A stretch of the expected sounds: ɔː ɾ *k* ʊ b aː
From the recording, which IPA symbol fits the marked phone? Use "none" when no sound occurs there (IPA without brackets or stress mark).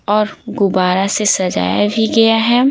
ɡ